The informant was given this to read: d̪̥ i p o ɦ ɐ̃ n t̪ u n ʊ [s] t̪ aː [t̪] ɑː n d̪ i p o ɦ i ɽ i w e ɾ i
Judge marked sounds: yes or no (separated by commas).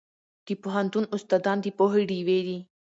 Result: yes, no